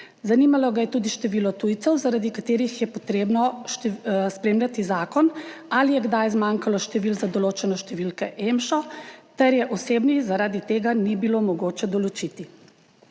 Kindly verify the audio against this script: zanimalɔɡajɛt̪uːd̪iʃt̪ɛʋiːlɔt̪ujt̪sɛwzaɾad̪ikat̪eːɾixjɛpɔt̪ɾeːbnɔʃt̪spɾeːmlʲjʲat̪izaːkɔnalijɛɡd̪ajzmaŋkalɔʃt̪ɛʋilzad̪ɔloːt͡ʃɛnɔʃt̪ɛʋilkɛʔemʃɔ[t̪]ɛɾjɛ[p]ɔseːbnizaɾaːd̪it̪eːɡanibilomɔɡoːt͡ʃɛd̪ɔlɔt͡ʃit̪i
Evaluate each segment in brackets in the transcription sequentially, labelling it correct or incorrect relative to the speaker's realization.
correct, incorrect

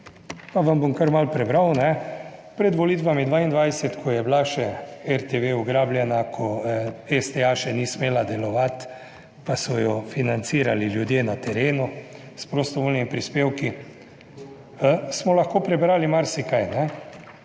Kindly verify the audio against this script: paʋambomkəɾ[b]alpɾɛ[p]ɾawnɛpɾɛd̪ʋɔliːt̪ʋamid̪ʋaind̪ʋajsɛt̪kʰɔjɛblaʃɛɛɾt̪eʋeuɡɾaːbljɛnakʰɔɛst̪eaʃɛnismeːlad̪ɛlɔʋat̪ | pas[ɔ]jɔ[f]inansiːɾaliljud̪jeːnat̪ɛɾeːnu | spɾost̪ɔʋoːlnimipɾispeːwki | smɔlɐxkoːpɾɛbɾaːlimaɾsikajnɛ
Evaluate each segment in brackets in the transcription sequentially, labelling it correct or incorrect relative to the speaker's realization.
incorrect, incorrect, correct, correct

